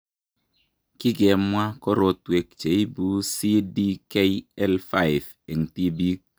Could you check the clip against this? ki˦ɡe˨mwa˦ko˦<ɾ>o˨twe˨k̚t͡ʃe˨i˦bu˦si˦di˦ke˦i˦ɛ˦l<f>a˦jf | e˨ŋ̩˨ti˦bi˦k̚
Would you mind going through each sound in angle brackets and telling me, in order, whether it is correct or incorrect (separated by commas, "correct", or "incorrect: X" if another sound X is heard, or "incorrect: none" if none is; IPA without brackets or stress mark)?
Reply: correct, correct